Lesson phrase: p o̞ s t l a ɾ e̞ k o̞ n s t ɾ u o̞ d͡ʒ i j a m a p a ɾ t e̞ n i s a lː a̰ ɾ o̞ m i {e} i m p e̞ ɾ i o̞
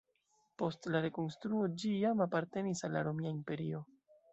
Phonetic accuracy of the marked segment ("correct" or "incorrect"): incorrect